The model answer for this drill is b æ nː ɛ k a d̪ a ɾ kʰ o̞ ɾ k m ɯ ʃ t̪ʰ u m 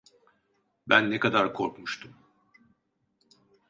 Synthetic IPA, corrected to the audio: b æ nː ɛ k a d̪ a ɾ kʰ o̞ ɾ k m u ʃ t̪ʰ u m